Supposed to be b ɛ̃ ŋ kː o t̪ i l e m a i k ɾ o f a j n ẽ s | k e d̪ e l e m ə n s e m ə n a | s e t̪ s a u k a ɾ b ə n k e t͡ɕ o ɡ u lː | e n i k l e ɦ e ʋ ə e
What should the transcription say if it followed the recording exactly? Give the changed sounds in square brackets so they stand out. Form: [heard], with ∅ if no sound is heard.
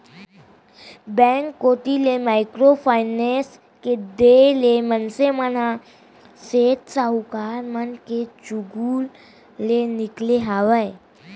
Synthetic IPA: b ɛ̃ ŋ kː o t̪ i l e m a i k ɾ o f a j n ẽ s | k e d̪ e l e m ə n s e m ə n a | s e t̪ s a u k a ɾ [m] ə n k e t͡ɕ [u] ɡ u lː | e n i k l e ɦ [a] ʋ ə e